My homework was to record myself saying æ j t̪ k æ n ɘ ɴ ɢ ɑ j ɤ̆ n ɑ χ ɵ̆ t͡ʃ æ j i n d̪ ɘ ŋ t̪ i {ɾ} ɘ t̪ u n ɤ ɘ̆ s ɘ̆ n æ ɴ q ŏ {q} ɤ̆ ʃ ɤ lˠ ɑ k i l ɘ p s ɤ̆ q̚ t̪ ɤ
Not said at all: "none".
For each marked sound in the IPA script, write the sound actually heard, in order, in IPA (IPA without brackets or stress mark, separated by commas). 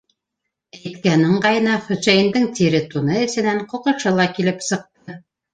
ɾ, q